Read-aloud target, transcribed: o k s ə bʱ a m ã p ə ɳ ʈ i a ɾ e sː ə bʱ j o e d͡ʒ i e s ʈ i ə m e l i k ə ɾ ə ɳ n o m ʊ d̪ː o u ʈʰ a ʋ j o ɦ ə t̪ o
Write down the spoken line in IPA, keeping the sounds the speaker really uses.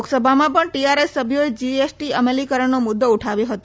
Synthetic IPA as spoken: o k s ə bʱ a m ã p ə ɳ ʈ i a ɾ e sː ə bʱ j o e d͡ʒ i e s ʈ i ə m e l i k ə ɾ ə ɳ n o m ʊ d̪ː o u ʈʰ a ʋ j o ɦ ə t̪ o